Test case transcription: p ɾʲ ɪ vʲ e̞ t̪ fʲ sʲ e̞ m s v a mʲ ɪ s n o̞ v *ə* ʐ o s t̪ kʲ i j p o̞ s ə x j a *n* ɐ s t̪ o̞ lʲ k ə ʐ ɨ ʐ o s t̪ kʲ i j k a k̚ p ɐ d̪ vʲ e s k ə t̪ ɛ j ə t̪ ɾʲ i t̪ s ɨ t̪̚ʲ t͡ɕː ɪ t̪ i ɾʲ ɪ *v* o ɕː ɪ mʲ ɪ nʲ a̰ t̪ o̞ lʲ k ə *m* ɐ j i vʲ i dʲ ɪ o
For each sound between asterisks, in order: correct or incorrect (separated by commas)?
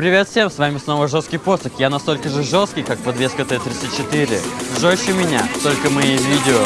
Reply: correct, correct, incorrect, correct